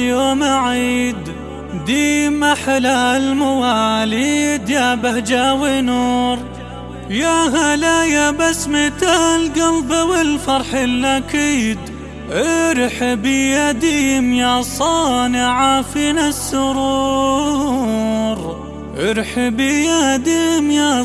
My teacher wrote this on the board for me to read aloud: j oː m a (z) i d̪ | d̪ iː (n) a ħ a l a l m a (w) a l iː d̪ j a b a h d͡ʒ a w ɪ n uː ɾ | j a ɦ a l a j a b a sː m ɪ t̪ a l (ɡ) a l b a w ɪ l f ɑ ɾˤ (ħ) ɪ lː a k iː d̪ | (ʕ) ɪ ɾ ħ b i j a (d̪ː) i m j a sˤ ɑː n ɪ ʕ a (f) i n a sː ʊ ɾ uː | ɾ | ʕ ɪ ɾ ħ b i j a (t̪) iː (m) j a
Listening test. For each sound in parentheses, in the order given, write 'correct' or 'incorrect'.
incorrect: ʕ, incorrect: m, correct, correct, correct, correct, incorrect: d̪, correct, incorrect: d̪, correct

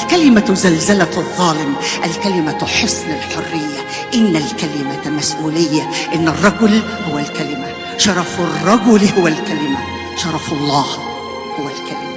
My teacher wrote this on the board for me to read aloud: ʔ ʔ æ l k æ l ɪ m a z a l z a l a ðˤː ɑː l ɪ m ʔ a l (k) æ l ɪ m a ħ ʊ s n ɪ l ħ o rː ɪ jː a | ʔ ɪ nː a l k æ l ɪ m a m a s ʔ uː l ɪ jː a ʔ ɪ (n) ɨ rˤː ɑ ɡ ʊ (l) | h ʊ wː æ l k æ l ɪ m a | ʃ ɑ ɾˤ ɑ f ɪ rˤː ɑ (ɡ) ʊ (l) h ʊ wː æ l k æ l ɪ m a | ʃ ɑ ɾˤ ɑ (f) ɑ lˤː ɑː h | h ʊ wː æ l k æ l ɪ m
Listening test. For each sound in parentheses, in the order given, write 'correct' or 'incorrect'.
correct, incorrect: nː, correct, correct, correct, correct

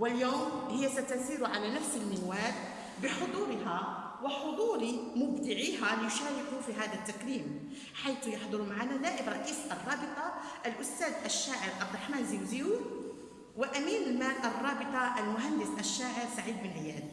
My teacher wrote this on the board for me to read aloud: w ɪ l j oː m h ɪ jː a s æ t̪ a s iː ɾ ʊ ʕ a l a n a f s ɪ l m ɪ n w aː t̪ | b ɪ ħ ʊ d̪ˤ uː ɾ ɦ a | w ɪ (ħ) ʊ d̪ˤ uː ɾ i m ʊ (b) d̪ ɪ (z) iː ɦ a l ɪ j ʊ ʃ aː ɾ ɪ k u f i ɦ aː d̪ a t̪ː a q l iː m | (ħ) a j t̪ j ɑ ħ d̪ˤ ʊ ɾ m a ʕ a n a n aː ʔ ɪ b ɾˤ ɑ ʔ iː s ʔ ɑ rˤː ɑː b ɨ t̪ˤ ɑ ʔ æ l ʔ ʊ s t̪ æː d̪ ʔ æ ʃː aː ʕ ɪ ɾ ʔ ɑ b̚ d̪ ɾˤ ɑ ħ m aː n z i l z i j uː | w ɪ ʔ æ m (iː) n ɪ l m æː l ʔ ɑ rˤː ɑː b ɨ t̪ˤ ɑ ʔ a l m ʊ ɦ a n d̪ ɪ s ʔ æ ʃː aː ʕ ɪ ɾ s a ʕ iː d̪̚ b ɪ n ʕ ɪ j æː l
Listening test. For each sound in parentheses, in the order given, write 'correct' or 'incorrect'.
correct, correct, incorrect: ʕ, correct, correct

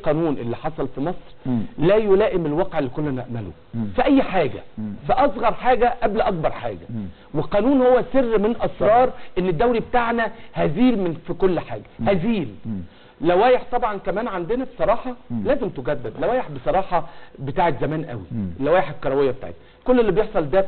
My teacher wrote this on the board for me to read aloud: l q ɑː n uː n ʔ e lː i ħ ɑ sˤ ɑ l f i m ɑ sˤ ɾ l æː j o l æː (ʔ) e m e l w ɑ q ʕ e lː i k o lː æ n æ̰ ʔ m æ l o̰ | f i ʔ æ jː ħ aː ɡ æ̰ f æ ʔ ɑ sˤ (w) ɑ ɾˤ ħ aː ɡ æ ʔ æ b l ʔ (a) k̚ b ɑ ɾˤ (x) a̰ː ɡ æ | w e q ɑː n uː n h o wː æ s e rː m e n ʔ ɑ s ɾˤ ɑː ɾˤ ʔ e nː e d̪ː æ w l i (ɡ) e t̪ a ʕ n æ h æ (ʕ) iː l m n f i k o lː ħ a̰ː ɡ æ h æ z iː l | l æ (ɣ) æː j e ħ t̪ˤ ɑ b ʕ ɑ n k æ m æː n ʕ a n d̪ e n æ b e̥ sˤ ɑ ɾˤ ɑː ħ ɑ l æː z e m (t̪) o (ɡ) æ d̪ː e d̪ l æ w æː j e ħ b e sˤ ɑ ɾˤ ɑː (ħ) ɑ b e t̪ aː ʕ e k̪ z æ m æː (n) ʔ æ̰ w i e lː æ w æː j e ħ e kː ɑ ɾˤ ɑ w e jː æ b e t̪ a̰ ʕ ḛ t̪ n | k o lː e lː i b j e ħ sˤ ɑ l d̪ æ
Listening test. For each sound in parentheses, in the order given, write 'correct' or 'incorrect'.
correct, incorrect: ɣ, incorrect: ɑ, incorrect: ħ, incorrect: b, incorrect: z, incorrect: w, correct, correct, correct, correct

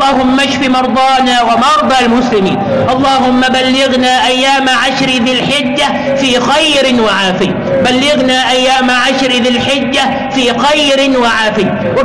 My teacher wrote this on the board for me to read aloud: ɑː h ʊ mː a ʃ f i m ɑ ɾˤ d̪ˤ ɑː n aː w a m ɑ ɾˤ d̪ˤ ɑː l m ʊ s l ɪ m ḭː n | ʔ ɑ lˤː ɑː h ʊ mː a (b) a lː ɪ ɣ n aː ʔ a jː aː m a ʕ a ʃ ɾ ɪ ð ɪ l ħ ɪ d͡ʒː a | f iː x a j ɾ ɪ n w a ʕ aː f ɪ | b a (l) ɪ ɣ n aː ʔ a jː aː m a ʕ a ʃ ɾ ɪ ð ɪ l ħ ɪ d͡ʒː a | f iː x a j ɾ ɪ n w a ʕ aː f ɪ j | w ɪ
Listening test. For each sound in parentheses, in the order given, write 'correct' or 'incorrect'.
correct, incorrect: lː

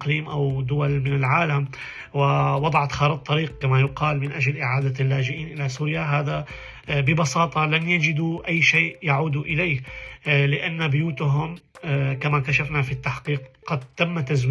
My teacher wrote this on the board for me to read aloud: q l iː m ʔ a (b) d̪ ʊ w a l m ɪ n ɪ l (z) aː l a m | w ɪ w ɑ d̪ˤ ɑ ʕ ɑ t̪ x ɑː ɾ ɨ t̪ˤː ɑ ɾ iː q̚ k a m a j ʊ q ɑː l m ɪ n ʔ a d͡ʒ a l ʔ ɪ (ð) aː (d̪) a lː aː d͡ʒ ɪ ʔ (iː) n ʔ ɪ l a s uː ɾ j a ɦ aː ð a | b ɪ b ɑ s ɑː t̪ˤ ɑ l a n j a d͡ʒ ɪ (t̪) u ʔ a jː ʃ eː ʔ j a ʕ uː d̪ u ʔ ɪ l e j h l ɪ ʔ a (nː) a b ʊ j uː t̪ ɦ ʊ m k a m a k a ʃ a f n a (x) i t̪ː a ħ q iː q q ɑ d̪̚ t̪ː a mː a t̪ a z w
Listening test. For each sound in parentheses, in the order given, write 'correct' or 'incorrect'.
incorrect: w, incorrect: ʕ, incorrect: ʕ, correct, correct, incorrect: d̪, correct, incorrect: f

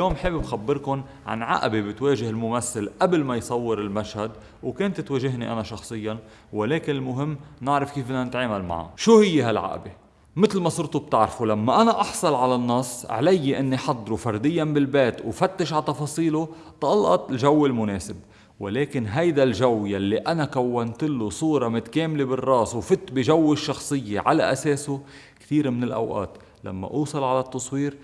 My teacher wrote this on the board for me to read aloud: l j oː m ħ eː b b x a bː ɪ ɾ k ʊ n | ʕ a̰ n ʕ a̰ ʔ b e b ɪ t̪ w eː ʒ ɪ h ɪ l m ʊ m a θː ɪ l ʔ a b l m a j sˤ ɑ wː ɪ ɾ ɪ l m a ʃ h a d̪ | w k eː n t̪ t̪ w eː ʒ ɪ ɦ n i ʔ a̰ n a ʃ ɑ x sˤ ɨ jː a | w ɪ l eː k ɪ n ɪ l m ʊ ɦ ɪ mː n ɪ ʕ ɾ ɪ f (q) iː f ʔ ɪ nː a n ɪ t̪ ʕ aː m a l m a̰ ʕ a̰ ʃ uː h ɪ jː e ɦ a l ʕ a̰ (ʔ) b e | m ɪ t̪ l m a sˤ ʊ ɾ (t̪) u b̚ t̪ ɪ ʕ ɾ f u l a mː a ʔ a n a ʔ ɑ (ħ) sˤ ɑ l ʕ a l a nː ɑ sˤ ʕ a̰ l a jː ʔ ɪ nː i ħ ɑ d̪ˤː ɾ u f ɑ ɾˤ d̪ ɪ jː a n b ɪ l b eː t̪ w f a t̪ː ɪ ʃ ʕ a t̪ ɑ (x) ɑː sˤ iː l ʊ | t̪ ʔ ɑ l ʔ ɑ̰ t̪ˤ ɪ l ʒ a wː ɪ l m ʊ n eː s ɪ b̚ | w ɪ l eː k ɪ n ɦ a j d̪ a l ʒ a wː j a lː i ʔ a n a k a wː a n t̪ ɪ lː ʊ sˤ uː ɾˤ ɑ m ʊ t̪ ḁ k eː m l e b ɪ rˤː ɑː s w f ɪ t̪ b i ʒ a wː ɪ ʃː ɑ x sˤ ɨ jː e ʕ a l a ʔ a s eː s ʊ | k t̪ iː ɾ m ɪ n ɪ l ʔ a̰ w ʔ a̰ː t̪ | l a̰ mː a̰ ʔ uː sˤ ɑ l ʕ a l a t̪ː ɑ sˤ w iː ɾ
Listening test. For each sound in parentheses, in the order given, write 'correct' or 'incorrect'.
incorrect: k, correct, correct, correct, incorrect: f

